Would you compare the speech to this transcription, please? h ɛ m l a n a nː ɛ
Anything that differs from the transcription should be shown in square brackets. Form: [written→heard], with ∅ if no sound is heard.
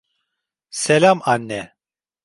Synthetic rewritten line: [h→s] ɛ [m→∅] l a [n→m] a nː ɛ